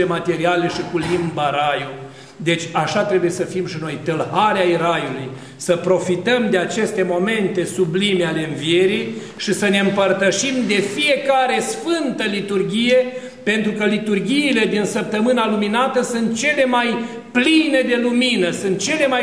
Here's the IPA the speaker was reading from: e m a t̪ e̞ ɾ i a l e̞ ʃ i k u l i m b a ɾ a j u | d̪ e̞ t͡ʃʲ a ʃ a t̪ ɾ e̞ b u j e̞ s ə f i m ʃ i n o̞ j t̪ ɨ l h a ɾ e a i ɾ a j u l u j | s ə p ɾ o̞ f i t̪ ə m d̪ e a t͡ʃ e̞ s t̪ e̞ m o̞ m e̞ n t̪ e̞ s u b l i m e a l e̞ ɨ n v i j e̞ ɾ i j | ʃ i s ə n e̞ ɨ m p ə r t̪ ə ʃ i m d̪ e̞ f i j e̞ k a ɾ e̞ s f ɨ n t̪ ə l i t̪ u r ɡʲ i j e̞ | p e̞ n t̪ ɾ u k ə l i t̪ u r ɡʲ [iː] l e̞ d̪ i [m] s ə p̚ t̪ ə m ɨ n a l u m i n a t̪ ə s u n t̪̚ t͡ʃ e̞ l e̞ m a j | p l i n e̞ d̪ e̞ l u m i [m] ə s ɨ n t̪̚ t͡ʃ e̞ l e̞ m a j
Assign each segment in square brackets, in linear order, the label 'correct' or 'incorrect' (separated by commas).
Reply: correct, incorrect, incorrect